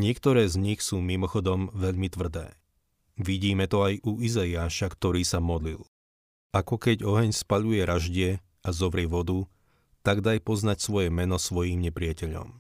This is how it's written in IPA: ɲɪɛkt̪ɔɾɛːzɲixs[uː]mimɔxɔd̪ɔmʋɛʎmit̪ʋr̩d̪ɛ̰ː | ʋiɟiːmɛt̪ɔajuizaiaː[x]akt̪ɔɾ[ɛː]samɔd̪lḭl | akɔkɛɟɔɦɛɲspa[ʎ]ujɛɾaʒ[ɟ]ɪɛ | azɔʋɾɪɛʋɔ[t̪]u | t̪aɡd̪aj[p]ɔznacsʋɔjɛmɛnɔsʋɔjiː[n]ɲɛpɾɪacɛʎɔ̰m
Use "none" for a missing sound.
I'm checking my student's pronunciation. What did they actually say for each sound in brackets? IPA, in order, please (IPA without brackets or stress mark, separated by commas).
uː, ʃ, iː, ʎ, ɟ, d̪, p, m